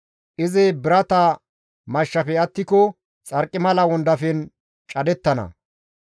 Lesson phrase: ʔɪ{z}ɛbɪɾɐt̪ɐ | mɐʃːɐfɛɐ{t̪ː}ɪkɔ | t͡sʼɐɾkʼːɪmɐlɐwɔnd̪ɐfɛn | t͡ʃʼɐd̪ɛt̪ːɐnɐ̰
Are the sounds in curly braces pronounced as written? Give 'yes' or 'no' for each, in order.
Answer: yes, yes

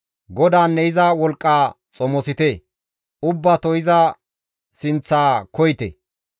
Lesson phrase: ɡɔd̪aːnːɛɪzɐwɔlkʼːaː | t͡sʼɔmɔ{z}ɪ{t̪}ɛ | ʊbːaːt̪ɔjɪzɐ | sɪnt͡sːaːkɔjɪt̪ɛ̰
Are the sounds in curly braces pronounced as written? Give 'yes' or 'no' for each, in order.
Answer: no, yes

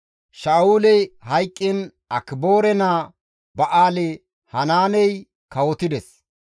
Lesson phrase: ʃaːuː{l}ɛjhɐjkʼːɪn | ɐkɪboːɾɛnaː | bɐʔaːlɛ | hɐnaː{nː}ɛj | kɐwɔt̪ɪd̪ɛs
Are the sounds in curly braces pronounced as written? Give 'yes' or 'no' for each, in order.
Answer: yes, no

